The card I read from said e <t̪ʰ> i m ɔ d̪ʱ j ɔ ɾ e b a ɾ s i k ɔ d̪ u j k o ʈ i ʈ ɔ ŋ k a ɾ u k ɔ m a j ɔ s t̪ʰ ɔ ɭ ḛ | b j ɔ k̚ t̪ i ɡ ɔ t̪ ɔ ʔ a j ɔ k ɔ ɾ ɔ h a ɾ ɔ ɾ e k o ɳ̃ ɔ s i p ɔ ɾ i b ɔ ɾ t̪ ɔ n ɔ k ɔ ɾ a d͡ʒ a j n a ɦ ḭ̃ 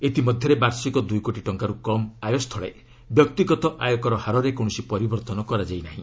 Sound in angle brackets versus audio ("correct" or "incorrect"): incorrect